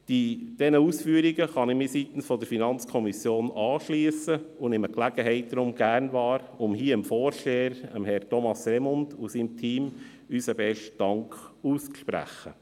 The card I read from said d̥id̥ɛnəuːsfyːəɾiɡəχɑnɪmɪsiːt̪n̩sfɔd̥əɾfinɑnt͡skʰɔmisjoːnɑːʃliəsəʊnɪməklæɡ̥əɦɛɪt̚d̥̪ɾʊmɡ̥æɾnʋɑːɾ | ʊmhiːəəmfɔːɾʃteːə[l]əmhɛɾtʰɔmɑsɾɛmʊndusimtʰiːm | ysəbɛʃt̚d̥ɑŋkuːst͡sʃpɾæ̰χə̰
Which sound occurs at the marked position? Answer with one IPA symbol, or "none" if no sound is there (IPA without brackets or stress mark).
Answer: ɾ